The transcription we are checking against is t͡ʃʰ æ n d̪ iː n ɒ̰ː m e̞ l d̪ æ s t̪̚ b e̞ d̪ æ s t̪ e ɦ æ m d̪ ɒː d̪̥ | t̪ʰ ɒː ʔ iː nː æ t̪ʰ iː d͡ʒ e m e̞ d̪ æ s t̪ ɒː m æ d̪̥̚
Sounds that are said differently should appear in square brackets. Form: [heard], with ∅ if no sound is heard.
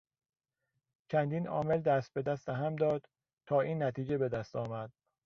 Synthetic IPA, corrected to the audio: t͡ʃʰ æ n d̪ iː n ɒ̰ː m e̞ l d̪ æ s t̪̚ b e̞ d̪ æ s t̪ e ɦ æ m d̪ ɒː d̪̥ | t̪ʰ ɒː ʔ iː nː æ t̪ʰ iː d͡ʒ e [b] e̞ d̪ æ s t̪ ɒː m æ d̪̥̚